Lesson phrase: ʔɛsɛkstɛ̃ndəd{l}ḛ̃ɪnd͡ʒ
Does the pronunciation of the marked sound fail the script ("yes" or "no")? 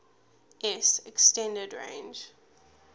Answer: yes